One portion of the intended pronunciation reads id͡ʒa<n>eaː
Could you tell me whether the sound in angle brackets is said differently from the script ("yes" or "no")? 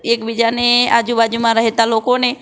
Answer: no